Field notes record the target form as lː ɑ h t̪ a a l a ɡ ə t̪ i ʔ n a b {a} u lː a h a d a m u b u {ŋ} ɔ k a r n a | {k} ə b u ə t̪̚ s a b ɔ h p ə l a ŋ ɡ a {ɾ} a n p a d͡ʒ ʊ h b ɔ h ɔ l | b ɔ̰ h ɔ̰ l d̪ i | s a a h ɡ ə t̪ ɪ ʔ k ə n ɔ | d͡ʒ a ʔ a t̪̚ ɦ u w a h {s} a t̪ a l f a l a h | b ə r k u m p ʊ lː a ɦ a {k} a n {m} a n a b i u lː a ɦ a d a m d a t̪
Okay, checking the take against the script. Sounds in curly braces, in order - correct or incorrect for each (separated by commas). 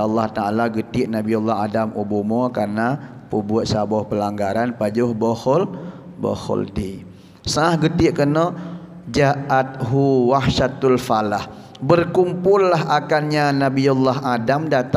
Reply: incorrect, incorrect, incorrect, correct, incorrect, correct, incorrect